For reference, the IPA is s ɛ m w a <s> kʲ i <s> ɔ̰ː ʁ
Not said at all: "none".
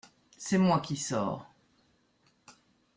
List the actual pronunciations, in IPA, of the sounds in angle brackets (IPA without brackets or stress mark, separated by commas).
none, s